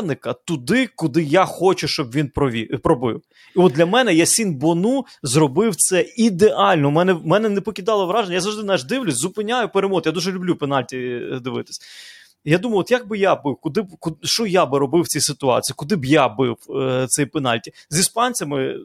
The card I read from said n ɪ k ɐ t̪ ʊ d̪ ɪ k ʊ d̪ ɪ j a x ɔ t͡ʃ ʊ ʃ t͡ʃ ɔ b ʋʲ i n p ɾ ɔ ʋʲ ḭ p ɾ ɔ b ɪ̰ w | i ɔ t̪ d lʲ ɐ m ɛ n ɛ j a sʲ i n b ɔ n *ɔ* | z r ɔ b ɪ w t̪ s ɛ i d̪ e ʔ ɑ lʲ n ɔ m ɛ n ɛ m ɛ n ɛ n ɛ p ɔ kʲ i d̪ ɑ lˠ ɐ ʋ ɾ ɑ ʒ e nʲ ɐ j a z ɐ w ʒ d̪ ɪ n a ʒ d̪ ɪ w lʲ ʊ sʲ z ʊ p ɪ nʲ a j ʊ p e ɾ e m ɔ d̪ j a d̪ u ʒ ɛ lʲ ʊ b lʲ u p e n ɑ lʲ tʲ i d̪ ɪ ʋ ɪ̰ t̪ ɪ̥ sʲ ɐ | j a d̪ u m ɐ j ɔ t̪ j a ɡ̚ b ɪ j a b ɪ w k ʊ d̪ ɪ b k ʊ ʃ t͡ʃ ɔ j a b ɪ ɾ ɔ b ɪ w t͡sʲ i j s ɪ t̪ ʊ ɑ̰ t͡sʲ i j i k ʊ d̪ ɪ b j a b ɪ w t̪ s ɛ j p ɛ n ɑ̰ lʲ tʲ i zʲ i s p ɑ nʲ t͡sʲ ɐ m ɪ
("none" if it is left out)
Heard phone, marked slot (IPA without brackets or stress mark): u